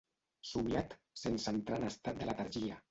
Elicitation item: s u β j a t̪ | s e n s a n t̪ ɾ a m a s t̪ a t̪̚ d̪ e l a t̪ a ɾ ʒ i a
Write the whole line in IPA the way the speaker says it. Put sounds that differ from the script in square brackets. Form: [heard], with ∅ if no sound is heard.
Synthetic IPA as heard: s u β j a t̪ | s e n s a n t̪ ɾ a [n] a s t̪ a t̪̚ d̪ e l a t̪ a ɾ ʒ i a